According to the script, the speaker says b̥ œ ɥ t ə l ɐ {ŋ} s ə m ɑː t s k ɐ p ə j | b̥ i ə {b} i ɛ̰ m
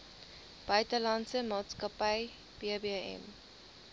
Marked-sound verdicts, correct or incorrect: incorrect: n, correct

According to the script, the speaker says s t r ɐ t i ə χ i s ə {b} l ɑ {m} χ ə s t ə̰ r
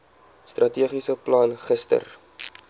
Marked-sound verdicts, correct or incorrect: incorrect: p, incorrect: n

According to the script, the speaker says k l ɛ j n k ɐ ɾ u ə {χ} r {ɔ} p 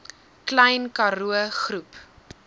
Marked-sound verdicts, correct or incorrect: correct, incorrect: u

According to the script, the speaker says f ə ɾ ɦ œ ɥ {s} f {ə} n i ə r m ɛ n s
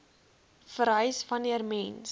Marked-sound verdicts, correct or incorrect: correct, incorrect: ɐ

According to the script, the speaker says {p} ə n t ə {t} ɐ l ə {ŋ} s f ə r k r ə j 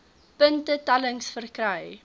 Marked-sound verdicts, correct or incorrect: correct, correct, correct

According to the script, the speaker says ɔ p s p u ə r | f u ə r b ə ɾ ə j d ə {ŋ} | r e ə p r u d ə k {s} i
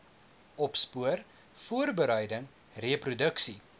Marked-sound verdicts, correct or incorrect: correct, correct

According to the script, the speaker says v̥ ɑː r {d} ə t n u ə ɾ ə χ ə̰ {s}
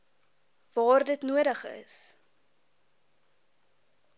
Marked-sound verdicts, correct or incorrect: correct, correct

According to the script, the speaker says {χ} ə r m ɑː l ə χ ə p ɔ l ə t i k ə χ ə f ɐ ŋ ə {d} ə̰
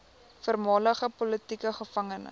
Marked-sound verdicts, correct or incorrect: incorrect: f, incorrect: n

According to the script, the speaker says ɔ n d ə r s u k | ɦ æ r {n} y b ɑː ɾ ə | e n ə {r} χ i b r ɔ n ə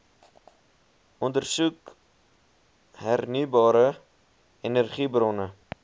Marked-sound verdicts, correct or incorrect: correct, correct

